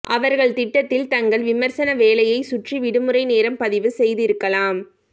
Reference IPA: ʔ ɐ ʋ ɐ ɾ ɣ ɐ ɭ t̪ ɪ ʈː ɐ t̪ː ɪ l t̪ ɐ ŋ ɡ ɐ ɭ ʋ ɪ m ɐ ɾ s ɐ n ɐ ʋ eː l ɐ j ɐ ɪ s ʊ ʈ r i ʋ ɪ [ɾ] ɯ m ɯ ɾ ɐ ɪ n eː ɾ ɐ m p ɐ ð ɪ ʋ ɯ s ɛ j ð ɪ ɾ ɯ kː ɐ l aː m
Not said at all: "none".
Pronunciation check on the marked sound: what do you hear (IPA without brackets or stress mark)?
ɽ